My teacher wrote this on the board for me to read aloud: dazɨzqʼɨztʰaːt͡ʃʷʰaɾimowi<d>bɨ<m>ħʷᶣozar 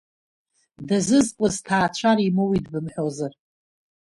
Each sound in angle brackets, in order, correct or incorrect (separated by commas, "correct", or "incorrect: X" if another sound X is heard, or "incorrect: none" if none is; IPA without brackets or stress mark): correct, correct